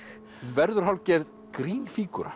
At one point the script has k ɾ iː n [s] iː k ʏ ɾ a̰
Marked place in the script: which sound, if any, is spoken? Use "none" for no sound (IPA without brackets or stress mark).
f